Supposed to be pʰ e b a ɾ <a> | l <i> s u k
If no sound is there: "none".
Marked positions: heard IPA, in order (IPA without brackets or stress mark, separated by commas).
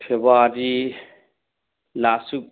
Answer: i, a